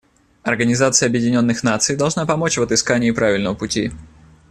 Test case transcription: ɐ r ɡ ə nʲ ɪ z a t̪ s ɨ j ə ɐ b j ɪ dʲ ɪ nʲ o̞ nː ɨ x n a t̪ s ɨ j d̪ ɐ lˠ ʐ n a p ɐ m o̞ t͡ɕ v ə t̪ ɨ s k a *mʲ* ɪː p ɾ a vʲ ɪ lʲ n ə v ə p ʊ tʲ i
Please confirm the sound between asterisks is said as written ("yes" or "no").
no